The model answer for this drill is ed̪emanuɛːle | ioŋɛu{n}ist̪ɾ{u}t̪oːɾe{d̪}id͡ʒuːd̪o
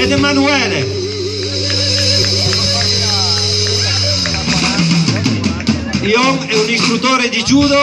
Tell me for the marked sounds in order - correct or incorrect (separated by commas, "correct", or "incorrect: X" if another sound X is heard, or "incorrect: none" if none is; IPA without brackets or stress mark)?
correct, correct, correct